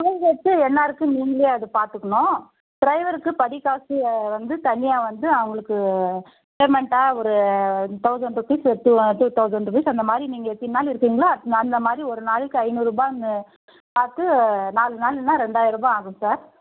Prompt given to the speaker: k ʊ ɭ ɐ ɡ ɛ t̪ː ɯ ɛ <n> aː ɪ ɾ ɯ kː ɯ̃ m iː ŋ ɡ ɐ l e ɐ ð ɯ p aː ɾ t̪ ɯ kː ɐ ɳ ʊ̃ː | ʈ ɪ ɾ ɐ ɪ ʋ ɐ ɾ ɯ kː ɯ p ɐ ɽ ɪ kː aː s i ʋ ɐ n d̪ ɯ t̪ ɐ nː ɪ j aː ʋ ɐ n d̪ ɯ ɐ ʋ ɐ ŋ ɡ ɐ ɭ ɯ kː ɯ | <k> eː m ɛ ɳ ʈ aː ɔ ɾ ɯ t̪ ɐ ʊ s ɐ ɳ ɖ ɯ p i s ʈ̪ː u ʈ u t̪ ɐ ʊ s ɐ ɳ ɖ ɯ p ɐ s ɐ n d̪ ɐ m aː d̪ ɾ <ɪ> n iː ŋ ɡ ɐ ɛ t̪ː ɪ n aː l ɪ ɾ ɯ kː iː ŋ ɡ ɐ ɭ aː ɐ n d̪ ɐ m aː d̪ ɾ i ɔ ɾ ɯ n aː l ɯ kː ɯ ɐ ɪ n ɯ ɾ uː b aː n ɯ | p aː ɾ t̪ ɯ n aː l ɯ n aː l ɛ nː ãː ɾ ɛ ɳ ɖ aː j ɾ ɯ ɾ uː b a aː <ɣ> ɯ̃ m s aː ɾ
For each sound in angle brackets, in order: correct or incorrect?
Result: incorrect, incorrect, incorrect, correct

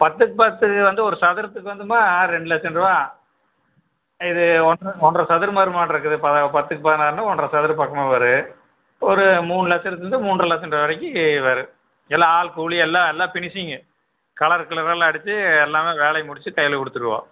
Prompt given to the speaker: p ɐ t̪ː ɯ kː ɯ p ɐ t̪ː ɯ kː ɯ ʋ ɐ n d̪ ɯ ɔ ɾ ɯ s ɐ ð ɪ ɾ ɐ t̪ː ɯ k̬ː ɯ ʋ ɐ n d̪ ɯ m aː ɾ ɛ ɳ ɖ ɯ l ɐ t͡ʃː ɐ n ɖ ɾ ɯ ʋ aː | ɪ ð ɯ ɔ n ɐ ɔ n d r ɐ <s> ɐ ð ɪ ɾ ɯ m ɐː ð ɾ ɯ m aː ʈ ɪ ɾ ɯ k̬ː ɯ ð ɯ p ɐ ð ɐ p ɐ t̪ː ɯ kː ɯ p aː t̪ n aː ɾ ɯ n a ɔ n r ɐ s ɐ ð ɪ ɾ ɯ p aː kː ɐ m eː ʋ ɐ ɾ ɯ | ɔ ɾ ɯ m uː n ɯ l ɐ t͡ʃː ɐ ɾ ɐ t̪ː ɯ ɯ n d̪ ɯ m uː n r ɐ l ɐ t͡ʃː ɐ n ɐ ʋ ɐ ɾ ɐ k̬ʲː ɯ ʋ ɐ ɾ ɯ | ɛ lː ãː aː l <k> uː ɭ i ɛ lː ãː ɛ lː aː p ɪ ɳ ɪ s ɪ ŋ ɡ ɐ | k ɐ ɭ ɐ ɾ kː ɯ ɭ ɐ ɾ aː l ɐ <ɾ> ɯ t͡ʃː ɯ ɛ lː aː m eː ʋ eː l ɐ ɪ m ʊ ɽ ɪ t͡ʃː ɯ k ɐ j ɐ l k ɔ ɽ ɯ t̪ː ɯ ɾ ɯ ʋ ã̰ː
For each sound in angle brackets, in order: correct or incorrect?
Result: correct, correct, incorrect

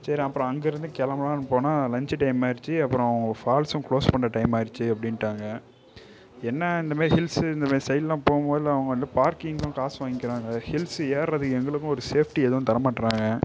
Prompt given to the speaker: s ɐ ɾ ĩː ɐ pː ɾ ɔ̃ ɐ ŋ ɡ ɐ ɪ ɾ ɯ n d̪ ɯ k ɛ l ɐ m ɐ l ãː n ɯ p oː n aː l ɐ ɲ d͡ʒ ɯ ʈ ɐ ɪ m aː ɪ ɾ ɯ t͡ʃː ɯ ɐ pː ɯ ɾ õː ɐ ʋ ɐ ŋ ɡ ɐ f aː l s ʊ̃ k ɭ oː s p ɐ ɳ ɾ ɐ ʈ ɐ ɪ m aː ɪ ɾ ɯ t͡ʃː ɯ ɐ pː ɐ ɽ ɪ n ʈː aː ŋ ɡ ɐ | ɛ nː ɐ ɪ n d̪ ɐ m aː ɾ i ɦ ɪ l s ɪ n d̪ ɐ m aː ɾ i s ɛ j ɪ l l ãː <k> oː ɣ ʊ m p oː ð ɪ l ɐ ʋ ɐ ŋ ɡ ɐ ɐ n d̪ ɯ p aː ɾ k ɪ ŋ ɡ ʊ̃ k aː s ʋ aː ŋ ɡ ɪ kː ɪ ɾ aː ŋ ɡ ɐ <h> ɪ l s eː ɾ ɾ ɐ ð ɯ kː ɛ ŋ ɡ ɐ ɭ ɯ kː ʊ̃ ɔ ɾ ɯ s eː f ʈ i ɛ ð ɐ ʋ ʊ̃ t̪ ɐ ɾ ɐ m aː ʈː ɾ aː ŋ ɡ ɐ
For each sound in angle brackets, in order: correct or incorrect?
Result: incorrect, correct

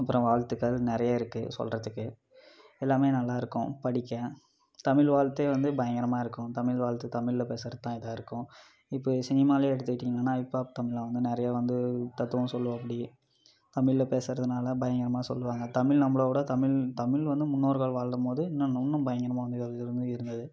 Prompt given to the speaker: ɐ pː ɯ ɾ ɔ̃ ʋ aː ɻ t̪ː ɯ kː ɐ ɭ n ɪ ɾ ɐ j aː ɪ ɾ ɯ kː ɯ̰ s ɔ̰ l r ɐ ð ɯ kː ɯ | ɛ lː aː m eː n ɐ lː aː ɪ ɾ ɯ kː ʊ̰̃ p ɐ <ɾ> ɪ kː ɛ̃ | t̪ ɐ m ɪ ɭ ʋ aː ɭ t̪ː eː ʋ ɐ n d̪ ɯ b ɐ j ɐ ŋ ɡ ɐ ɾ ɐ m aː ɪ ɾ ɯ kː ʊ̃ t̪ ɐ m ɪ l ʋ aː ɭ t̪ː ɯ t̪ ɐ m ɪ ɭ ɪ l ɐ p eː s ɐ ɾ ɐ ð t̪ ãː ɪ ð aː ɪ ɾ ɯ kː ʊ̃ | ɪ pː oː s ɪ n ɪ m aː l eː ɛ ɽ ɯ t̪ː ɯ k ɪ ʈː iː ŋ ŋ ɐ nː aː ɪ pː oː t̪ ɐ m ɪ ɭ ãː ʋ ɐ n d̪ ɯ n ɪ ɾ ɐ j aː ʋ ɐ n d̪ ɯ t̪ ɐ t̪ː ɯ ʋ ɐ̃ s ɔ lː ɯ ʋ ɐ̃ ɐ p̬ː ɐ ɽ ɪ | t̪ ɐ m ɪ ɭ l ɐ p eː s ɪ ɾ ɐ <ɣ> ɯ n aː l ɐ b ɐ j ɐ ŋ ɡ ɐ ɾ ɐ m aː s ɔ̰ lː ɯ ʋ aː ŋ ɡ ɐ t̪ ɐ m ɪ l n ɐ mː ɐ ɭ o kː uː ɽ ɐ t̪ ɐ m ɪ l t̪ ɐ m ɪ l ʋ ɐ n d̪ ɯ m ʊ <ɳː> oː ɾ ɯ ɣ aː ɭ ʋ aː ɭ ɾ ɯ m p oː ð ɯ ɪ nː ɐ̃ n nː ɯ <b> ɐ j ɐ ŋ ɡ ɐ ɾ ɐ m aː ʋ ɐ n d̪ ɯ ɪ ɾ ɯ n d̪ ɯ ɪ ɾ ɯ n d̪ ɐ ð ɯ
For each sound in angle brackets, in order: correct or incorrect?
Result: incorrect, incorrect, incorrect, correct

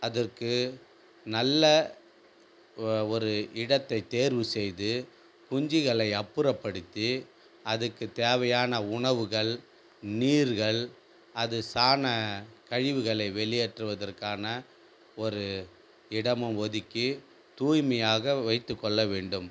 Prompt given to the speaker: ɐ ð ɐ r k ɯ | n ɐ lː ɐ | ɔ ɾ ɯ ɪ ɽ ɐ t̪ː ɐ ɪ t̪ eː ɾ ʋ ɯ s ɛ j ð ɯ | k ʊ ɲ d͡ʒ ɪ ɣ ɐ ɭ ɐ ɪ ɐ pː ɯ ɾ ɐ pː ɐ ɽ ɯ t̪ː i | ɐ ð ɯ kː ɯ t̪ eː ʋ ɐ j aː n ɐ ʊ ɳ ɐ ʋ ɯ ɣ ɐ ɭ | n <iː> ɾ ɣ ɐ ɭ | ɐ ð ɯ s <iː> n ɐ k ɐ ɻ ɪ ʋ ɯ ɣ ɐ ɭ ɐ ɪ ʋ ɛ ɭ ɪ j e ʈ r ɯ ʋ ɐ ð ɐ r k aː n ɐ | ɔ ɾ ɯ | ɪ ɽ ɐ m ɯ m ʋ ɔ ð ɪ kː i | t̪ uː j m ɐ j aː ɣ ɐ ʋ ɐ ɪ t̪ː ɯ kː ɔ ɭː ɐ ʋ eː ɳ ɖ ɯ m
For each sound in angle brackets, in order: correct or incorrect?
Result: correct, incorrect

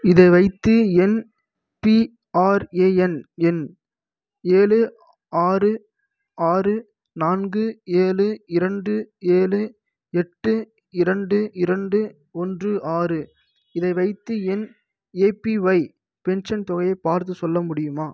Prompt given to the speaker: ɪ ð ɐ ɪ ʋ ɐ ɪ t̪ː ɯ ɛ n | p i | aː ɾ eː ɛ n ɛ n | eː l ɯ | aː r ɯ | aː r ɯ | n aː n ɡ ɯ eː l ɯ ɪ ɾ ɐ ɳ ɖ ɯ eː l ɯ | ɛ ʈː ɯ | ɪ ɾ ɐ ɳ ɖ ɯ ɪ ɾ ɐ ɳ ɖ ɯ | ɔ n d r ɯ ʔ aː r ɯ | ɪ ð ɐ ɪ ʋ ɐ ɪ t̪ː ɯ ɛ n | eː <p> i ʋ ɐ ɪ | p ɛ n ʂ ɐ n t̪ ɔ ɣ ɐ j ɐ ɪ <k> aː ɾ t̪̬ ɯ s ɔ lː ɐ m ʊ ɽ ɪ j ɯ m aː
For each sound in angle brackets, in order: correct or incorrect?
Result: correct, incorrect

